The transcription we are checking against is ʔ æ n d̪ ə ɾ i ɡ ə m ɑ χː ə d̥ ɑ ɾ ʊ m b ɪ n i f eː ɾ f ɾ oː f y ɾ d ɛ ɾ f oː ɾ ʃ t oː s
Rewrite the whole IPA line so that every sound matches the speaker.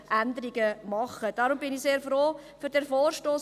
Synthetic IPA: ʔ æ n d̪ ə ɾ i ɡ ə m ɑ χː ə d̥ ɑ ɾ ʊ m b ɪ n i s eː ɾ f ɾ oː f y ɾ d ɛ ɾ f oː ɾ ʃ t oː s